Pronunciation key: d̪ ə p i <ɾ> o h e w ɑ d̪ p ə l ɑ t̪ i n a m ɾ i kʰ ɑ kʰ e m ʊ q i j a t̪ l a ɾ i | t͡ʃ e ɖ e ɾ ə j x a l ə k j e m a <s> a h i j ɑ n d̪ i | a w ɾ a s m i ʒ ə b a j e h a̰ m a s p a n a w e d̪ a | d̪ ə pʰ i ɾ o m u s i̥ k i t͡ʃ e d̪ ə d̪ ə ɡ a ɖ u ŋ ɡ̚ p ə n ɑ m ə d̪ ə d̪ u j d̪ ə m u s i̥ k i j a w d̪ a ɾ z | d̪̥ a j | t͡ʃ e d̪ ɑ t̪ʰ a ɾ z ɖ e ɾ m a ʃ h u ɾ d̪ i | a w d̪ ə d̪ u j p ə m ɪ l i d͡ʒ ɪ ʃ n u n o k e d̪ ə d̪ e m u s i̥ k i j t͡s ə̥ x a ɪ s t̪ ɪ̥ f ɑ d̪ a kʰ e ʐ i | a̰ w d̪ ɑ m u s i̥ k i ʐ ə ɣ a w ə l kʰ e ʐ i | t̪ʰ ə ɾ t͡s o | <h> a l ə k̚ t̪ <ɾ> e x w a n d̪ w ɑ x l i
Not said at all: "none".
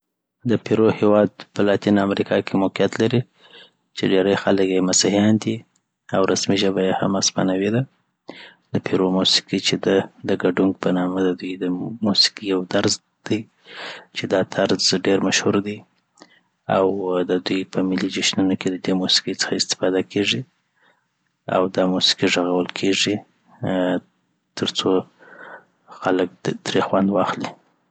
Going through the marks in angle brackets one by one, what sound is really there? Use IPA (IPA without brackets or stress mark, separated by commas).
ɾ, s, x, ɾ